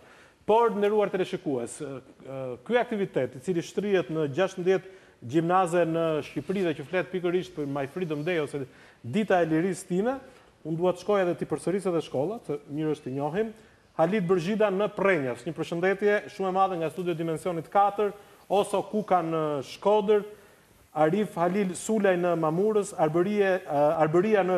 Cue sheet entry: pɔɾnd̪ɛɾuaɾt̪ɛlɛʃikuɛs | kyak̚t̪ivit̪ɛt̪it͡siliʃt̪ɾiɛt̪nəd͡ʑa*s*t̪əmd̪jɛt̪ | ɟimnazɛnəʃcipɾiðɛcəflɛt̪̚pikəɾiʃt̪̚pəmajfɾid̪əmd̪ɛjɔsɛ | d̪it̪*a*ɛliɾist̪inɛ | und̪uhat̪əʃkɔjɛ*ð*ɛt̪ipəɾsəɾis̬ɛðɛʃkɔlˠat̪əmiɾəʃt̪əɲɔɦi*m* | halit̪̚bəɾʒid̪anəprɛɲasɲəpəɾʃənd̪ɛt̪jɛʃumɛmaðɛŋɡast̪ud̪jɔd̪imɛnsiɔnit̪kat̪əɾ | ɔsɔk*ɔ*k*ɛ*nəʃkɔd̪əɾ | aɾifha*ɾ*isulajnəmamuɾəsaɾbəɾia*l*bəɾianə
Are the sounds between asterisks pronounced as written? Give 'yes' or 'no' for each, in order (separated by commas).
no, yes, yes, yes, no, no, no, no